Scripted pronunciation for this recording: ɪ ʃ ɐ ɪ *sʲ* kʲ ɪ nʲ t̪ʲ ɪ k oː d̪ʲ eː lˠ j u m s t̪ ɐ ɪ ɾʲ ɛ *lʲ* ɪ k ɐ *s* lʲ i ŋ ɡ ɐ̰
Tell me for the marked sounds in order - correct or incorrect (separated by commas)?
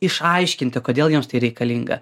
incorrect, incorrect, incorrect